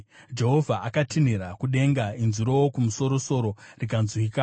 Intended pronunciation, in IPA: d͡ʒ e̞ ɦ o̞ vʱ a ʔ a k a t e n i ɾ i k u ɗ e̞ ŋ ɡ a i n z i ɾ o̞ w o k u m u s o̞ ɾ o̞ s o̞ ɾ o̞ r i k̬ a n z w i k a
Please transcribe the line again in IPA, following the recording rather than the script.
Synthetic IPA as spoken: d͡ʒ e̞ ɦ o̞ vʱ a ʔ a k a t i n i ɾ a k u ɗ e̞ ŋ ɡ a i n z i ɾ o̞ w o k u m u s o̞ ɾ o̞ s o̞ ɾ o̞ r i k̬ a n z w i k a